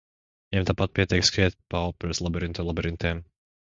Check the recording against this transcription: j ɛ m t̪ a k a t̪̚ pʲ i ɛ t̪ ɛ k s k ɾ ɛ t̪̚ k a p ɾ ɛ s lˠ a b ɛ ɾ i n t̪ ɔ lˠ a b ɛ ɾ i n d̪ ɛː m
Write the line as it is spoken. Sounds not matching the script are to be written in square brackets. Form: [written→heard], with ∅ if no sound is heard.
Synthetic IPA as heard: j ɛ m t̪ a [k→p] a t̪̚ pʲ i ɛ t̪ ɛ k s k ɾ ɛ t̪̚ [k→p] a p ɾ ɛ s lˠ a b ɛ ɾ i n t̪ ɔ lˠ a b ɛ ɾ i n [d̪→t̪] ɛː m